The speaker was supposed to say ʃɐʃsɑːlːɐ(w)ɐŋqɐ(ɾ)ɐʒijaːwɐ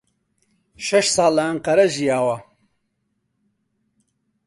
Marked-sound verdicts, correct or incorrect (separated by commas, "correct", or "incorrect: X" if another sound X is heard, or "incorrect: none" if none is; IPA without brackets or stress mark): incorrect: none, correct